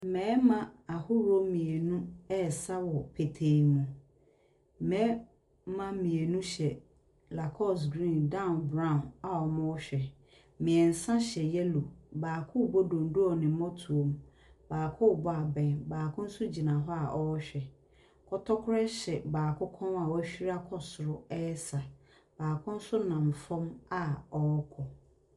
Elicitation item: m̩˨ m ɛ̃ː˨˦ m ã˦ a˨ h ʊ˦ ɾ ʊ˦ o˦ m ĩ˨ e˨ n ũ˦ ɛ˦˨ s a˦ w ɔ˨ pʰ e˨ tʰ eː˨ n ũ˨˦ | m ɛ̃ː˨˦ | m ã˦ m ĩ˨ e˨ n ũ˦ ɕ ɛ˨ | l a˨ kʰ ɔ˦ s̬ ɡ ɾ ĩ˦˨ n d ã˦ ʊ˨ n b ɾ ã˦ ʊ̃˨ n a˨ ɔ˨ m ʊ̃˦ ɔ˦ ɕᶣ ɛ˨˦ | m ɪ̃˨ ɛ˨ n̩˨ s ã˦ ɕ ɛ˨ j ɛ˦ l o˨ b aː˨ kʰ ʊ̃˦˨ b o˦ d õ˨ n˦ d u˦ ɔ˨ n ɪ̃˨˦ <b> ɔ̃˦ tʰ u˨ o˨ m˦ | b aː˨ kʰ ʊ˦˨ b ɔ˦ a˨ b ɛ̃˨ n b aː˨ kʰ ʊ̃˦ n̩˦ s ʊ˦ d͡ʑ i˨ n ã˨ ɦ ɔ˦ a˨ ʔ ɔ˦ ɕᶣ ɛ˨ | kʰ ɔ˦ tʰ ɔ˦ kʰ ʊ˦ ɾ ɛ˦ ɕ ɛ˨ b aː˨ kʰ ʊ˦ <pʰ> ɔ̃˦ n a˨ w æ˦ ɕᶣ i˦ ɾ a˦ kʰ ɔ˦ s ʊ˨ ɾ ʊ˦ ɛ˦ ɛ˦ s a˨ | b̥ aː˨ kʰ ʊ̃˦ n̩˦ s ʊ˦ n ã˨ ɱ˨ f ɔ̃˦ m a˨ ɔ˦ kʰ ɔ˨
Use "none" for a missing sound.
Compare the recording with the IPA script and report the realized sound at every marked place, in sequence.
m, kʰ

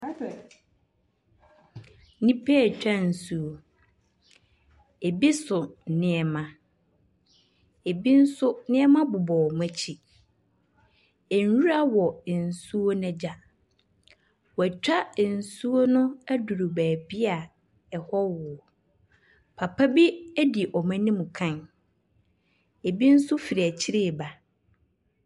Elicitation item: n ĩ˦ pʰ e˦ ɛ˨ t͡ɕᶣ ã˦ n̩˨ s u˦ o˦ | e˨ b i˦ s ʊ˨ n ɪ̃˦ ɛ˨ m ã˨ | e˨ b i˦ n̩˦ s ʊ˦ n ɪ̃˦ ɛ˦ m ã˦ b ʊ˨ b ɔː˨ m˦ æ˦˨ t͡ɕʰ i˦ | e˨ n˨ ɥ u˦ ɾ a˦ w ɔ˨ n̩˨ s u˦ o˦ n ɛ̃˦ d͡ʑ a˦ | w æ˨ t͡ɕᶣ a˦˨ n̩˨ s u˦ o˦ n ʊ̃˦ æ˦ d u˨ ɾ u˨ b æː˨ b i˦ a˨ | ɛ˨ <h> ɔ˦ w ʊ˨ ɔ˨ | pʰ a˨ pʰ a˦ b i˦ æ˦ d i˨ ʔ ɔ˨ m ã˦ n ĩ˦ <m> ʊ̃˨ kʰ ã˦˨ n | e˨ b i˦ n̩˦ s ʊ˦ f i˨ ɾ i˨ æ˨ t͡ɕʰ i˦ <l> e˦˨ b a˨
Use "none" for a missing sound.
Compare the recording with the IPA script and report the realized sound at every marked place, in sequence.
h, m, ɾ

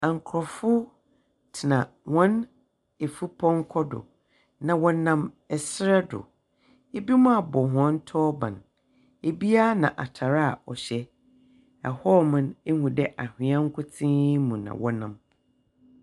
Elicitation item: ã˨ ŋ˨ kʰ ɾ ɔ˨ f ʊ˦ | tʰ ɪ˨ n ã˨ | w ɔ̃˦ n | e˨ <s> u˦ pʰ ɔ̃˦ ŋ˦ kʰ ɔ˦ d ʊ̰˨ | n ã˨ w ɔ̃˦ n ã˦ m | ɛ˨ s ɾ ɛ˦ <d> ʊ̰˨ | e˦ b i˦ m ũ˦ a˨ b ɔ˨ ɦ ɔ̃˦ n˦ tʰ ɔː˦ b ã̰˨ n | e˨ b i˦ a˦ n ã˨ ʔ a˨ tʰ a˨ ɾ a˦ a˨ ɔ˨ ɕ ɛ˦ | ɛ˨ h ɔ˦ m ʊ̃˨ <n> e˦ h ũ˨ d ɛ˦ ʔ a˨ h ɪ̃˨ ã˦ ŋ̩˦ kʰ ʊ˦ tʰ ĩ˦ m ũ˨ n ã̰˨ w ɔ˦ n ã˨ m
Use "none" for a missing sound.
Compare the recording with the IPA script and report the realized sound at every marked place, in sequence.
f, d, n

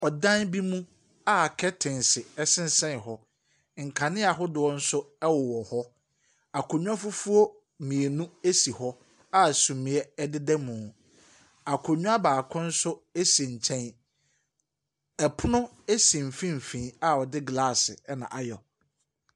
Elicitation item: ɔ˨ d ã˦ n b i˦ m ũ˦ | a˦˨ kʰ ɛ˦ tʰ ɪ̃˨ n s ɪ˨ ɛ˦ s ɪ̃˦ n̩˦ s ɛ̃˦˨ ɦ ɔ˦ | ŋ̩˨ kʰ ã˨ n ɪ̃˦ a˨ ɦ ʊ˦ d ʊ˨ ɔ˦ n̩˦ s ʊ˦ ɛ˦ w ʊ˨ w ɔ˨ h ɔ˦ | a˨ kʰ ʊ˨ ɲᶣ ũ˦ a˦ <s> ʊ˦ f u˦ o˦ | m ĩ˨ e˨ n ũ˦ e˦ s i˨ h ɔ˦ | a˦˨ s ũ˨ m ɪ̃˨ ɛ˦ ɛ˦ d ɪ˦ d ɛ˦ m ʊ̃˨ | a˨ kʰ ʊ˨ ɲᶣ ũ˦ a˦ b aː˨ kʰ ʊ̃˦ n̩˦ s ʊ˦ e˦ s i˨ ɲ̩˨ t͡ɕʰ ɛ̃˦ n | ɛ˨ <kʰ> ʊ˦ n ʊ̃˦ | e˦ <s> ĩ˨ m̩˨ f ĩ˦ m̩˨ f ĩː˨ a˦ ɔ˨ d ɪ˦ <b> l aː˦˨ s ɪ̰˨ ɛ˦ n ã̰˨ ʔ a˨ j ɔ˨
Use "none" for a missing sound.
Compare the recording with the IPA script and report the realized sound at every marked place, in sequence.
f, pʰ, s, ɡ

